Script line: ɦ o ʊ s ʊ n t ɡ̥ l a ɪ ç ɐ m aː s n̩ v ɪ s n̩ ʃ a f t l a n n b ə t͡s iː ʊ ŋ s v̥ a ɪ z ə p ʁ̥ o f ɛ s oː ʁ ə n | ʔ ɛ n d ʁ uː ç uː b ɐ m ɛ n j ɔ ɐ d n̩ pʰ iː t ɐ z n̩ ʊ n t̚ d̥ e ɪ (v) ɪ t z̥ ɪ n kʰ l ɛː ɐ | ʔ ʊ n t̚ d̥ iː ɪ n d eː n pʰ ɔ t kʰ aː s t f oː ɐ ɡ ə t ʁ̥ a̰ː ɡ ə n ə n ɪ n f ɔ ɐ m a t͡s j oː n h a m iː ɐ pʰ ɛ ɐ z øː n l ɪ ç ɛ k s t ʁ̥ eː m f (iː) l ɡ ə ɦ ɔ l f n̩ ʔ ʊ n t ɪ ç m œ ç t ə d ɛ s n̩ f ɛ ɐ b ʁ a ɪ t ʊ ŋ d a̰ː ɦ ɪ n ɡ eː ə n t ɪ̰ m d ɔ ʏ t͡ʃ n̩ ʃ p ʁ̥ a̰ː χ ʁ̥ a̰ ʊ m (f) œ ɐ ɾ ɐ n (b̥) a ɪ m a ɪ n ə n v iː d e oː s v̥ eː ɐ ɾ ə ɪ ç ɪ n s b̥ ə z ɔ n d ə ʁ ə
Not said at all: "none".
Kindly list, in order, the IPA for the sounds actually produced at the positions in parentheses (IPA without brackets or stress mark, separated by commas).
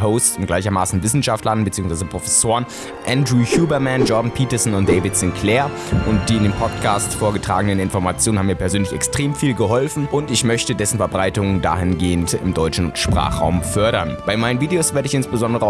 v, iː, f, b̥